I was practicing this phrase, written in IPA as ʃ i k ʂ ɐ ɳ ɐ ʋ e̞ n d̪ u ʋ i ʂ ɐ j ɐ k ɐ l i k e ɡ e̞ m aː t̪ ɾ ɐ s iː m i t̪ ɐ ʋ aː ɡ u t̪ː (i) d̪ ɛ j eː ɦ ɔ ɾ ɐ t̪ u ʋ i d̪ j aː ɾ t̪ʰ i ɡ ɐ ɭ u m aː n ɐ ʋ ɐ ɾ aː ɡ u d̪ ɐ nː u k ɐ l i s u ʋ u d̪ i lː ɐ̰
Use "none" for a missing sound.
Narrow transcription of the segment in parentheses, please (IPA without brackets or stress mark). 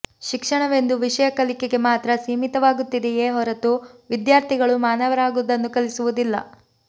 i